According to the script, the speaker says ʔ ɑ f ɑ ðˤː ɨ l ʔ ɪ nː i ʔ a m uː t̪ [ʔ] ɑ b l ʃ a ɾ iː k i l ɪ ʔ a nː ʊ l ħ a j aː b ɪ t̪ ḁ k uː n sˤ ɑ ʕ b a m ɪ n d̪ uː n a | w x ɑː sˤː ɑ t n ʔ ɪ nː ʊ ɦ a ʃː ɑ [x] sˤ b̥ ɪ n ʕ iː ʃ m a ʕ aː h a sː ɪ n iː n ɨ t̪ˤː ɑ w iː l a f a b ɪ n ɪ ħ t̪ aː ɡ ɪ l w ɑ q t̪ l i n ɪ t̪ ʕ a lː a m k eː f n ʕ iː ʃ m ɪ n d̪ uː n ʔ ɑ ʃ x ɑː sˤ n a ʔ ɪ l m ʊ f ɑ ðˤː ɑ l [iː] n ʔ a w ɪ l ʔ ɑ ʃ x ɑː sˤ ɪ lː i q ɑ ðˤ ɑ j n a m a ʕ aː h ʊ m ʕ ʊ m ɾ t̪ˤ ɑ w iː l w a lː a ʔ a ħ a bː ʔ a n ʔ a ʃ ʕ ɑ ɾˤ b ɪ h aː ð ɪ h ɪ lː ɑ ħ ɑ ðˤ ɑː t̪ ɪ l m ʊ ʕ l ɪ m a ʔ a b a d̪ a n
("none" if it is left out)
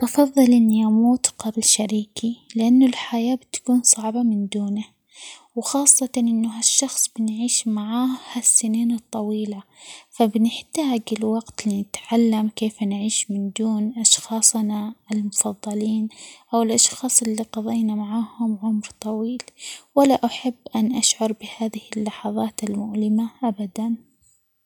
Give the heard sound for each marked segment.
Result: q, x, iː

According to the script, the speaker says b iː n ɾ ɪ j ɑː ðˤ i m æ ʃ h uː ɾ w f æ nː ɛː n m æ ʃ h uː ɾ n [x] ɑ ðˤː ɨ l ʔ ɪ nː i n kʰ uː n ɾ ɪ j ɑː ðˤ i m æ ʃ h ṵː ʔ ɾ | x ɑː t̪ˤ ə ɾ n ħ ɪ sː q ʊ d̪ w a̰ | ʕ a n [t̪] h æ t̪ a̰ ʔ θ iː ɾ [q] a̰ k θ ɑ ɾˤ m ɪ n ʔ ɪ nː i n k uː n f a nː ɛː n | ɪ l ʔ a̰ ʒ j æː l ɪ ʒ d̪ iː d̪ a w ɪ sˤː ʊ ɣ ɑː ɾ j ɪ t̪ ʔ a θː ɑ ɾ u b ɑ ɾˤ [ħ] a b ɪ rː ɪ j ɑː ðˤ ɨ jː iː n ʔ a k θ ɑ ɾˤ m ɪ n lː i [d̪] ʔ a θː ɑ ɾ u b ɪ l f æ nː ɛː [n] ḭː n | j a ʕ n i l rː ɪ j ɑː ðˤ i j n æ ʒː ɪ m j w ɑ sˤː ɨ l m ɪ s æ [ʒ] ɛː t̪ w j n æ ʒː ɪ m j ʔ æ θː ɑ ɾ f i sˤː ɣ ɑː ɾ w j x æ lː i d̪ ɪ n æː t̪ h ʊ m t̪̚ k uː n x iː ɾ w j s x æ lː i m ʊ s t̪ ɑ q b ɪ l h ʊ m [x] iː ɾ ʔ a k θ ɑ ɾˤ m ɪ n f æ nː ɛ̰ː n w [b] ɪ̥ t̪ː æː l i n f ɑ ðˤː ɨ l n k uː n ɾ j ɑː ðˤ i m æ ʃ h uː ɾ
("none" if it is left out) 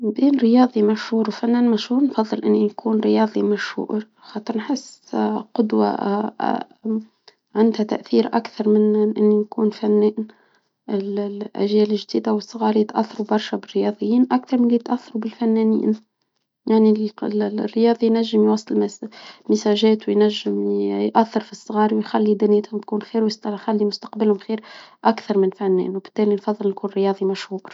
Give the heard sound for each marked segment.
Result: f, d̪, ʔ, ʃ, t̪, n, ʒ, x, b

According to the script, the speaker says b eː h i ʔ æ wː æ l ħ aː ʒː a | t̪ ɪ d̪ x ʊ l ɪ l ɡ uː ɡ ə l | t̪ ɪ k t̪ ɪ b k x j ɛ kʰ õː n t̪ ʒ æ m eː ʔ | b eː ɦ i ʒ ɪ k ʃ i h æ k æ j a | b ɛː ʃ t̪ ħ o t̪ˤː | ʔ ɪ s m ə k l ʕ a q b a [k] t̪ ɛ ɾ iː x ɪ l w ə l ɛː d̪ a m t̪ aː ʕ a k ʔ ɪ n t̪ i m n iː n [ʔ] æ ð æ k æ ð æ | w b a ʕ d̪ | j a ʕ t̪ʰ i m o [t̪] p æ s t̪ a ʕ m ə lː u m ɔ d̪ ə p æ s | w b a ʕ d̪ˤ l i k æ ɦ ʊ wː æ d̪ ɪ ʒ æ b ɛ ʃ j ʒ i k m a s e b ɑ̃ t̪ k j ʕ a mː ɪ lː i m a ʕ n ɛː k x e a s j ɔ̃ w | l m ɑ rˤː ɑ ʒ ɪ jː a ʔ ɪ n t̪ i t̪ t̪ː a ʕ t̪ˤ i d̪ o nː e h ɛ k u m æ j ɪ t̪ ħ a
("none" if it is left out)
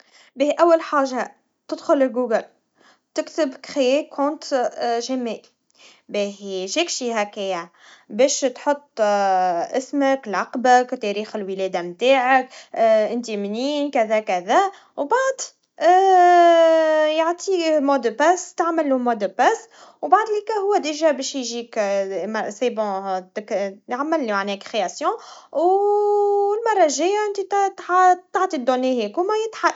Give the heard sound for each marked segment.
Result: k, k, d̪

